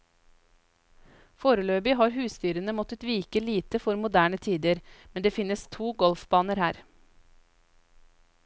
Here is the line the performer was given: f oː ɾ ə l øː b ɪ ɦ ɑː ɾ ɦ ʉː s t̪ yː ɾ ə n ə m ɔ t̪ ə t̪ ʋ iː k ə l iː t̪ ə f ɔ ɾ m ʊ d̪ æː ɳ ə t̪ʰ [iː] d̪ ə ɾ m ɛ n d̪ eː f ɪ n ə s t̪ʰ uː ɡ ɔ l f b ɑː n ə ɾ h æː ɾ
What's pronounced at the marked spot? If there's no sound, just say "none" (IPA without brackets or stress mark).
iː